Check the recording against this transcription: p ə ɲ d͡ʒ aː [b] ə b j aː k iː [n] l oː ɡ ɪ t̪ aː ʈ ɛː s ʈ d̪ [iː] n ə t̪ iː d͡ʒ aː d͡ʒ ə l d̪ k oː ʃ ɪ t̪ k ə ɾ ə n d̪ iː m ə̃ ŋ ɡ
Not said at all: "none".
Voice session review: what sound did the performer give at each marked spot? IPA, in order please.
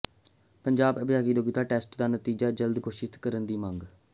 b, none, aː

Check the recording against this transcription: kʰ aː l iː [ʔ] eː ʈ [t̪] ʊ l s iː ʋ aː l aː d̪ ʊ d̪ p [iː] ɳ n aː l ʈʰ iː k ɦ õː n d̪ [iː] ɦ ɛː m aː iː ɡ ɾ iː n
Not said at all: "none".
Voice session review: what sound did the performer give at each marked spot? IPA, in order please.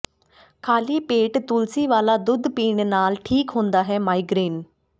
p, t̪, iː, aː

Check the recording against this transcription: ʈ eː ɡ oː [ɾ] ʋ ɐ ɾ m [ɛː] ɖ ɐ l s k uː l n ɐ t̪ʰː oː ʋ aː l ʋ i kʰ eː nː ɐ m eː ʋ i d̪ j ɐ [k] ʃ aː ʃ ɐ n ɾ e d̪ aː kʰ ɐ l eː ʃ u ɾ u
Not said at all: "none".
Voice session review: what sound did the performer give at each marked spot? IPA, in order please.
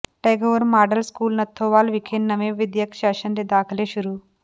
none, aː, k

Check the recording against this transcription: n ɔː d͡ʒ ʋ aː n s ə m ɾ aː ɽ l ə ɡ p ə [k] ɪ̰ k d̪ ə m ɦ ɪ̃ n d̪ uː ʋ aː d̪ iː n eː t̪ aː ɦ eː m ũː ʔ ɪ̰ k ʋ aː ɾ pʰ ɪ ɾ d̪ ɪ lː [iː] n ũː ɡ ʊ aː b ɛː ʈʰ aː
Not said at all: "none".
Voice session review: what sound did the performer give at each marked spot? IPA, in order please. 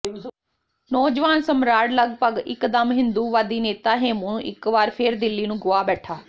ɡ, iː

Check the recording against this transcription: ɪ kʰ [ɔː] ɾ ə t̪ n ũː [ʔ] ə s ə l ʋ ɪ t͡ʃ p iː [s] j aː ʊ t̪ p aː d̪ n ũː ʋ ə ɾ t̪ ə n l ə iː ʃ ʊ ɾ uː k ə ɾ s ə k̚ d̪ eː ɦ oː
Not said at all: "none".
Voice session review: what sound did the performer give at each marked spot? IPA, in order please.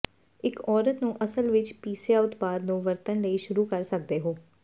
ɔː, ʔ, s

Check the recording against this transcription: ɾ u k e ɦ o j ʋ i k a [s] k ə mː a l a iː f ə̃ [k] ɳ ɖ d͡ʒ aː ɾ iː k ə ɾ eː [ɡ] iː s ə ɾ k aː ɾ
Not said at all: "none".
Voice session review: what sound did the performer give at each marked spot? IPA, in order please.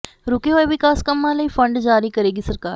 s, none, ɡ

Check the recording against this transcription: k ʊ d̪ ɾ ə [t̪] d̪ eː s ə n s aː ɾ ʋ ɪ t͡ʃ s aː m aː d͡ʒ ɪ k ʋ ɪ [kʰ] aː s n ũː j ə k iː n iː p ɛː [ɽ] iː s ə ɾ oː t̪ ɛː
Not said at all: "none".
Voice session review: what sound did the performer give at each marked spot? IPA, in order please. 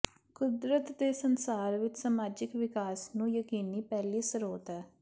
t̪, k, l

